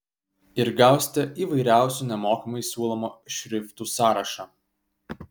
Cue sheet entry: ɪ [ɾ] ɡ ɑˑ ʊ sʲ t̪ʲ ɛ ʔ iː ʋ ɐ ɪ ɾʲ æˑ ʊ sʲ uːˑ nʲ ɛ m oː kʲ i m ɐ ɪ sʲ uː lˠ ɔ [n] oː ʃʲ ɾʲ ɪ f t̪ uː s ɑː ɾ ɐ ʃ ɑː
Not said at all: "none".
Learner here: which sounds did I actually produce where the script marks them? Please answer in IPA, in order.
ɾ, m

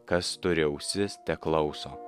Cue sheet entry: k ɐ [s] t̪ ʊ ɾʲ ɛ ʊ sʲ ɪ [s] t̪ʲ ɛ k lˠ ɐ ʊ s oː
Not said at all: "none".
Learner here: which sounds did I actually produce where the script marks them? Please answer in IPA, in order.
s, s

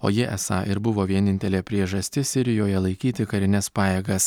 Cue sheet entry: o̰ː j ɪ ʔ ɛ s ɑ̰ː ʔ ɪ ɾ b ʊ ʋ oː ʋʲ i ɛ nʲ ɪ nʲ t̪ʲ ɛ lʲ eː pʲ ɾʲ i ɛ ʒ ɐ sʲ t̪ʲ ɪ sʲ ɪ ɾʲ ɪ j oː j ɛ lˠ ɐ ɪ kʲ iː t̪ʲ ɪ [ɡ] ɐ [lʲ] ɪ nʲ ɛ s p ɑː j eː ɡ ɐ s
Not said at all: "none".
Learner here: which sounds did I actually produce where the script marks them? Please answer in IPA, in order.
k, ɾʲ

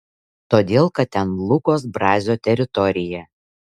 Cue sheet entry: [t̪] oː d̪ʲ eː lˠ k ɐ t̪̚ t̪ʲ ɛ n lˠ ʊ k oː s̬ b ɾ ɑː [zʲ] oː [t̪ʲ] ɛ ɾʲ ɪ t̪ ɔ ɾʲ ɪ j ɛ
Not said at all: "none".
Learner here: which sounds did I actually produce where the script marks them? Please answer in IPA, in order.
t̪, zʲ, t̪ʲ

